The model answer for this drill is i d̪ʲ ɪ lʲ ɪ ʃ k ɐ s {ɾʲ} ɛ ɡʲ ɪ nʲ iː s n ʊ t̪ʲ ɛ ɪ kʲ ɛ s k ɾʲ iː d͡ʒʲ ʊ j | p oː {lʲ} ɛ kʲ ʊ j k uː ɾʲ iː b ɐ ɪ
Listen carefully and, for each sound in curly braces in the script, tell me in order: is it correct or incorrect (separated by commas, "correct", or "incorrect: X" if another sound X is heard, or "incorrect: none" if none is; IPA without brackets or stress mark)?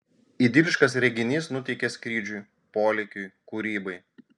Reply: correct, correct